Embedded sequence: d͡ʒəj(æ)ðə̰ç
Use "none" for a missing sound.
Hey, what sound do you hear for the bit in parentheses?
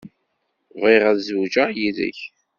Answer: i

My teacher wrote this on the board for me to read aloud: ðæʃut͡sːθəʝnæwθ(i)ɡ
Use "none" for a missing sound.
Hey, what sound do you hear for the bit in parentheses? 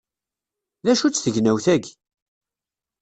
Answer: æ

